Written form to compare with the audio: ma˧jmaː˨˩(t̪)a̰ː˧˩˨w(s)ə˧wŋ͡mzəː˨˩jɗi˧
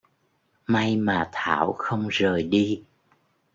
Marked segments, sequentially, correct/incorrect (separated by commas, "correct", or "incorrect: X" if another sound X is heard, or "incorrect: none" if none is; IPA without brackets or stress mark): incorrect: t̪ʰ, incorrect: x